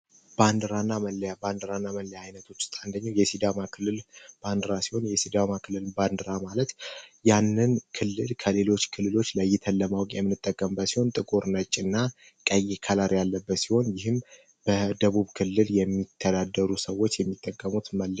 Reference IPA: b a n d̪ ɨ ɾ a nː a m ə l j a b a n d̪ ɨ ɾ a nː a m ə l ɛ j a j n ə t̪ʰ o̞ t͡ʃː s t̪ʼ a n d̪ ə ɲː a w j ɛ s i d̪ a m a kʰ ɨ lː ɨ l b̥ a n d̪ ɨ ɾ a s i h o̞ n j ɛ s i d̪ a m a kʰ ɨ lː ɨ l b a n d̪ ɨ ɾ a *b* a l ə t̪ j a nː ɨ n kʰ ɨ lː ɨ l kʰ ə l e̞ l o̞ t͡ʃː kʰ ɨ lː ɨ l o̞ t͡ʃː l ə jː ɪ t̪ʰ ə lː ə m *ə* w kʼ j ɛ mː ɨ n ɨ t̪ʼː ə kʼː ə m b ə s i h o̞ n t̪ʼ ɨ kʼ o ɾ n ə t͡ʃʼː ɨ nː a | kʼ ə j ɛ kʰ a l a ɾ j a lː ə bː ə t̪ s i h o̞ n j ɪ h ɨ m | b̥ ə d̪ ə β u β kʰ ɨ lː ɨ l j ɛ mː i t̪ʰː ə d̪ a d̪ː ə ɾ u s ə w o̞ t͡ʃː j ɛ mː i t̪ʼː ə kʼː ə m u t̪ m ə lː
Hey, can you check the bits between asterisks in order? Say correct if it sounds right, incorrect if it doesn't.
incorrect, incorrect

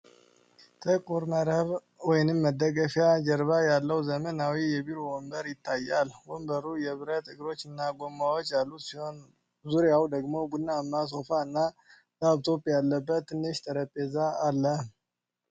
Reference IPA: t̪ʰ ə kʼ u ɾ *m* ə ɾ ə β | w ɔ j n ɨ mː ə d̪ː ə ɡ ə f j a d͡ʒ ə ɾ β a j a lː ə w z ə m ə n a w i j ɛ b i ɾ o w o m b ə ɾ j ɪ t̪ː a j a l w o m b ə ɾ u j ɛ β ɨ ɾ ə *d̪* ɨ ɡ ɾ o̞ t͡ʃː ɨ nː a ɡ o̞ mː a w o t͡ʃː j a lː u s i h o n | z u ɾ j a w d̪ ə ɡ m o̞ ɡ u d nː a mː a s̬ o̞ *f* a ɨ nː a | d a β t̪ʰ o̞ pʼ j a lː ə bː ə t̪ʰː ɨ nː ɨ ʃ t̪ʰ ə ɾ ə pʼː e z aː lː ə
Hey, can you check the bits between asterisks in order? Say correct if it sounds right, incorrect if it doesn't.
correct, incorrect, correct

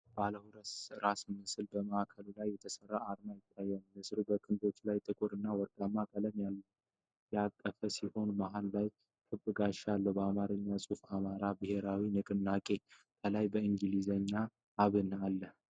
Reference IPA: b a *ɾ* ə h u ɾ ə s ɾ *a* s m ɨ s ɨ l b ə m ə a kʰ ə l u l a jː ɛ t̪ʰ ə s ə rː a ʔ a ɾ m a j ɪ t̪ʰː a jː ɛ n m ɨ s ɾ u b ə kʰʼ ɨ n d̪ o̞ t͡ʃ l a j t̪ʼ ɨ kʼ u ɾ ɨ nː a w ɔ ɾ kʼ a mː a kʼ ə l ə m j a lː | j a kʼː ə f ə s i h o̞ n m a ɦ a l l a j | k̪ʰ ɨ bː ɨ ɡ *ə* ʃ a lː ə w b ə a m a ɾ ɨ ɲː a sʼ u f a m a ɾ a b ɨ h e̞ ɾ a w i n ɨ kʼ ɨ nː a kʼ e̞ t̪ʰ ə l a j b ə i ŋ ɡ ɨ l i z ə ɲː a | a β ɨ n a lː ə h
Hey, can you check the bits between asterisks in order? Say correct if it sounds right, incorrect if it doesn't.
incorrect, correct, incorrect

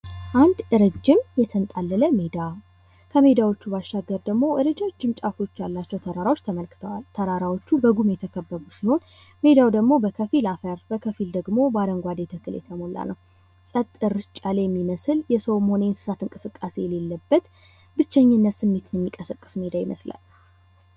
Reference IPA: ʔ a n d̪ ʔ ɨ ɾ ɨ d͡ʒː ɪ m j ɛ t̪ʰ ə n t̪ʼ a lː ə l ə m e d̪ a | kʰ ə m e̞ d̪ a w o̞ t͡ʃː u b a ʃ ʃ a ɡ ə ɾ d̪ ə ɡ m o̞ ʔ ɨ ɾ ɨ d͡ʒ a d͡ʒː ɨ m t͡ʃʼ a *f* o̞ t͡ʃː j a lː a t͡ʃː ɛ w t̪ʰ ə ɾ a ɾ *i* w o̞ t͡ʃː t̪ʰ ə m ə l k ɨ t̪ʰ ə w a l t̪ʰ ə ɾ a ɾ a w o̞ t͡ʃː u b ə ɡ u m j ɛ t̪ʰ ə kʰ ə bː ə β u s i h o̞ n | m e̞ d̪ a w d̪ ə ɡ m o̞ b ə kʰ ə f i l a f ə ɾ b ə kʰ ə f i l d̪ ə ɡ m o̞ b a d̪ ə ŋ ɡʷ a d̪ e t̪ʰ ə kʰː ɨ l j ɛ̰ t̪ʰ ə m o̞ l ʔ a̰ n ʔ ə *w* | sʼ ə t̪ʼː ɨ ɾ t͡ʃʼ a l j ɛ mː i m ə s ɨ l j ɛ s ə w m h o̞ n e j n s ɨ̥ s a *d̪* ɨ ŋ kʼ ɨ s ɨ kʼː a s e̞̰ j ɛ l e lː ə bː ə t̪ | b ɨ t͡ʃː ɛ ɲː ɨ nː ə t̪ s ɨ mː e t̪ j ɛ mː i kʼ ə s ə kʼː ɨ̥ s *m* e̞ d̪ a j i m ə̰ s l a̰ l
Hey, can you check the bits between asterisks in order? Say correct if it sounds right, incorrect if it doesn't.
correct, incorrect, correct, incorrect, correct

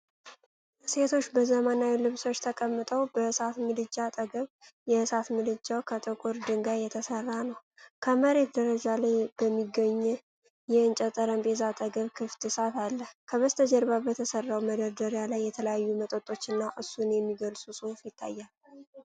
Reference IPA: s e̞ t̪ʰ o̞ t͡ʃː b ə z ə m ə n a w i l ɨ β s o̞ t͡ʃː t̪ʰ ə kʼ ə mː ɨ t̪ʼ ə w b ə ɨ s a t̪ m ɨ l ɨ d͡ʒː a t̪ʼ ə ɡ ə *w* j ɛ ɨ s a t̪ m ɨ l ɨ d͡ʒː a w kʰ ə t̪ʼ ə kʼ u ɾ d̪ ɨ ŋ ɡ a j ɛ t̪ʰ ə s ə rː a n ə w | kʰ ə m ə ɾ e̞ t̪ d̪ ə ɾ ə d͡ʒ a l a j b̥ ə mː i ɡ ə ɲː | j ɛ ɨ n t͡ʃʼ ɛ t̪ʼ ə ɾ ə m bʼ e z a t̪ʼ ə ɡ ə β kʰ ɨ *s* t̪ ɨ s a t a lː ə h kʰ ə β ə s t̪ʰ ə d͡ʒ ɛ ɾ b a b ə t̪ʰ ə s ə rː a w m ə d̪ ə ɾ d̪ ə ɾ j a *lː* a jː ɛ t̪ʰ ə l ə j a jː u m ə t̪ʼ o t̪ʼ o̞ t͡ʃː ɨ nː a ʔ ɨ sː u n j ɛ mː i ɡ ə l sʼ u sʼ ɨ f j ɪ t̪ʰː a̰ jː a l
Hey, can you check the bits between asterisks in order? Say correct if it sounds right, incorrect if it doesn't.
incorrect, incorrect, incorrect

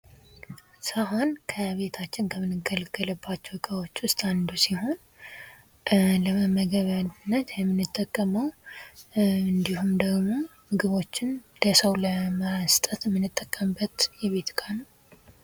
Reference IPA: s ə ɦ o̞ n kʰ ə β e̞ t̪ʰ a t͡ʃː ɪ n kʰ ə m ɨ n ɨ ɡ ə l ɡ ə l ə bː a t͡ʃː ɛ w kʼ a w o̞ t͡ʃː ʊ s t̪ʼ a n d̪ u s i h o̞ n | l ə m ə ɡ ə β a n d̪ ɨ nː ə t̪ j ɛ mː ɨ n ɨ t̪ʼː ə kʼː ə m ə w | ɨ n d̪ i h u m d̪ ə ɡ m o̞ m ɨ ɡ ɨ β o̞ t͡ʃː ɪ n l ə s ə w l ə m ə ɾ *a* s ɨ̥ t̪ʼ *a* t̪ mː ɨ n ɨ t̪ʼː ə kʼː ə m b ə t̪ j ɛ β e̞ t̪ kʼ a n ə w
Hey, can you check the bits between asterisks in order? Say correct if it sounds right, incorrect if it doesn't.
correct, incorrect

